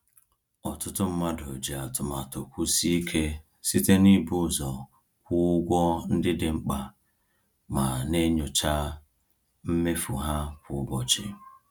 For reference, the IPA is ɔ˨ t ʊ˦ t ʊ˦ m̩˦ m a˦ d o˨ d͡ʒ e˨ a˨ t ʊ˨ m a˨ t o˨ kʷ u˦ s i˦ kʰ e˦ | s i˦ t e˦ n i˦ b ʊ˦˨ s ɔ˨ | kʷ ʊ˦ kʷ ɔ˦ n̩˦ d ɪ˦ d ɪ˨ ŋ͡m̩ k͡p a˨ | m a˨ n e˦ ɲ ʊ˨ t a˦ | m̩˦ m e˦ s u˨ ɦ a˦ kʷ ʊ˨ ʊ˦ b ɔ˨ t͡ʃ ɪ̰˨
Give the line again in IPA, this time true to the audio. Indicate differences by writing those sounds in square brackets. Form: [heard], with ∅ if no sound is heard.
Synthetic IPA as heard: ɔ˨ t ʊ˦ t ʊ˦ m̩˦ m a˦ d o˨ d͡ʒ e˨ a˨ t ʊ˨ m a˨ t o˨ kʷ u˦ s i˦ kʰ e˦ | s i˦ t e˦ n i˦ b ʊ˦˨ [z] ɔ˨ | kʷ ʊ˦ [ɡʷ] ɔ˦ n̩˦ d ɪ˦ d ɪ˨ ŋ͡m̩ k͡p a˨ | m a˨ n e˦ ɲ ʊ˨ [t͡ʃ] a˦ | m̩˦ m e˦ [f] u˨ ɦ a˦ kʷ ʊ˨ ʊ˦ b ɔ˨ t͡ʃ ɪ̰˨